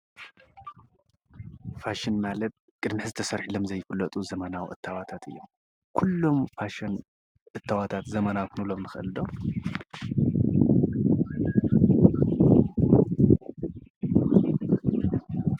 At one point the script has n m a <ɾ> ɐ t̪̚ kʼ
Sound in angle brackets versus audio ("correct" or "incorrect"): incorrect